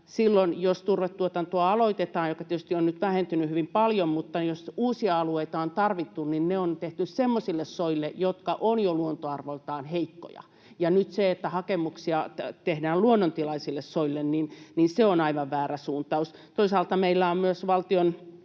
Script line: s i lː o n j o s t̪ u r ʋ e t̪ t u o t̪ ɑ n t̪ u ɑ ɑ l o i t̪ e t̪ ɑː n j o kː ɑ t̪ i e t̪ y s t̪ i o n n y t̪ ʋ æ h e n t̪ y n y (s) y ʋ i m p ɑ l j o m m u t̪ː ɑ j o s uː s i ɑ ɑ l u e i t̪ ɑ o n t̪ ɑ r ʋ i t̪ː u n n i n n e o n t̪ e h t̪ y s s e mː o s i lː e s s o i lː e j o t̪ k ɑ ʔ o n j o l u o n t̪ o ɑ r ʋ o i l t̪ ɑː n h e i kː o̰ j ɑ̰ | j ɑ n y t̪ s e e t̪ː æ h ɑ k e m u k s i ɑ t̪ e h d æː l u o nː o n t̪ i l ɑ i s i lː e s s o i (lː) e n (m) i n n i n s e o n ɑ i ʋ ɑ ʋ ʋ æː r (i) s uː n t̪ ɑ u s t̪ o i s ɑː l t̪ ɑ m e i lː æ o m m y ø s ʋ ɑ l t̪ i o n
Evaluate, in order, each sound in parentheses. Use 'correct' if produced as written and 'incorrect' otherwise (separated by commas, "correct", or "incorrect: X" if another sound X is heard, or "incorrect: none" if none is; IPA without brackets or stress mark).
incorrect: h, correct, incorrect: n, incorrect: æ